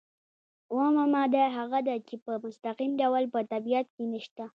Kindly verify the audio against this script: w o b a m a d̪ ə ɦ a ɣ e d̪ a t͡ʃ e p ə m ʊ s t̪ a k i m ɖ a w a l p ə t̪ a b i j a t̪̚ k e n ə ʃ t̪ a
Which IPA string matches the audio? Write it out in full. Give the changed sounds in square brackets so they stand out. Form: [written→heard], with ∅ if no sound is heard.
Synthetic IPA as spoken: w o [b→m] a m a d̪ [ə→a] ɦ a ɣ [e→a] d̪ a t͡ʃ e p ə m ʊ s t̪ a [k→q] i m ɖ a w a l p ə t̪ a b i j a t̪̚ k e n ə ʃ t̪ a